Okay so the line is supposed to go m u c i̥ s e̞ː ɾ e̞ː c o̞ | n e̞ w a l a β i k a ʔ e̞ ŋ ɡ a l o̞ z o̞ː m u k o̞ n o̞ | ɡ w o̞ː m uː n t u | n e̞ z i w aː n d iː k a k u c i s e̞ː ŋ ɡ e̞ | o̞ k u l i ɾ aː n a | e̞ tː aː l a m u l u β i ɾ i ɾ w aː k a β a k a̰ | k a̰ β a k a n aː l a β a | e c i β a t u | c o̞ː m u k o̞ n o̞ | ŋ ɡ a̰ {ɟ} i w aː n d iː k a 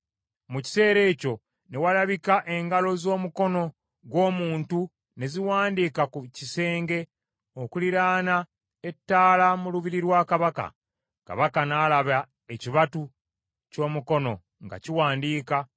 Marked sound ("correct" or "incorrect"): incorrect